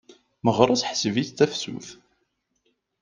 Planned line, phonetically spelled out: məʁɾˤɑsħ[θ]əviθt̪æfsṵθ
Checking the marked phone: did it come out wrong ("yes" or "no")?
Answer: yes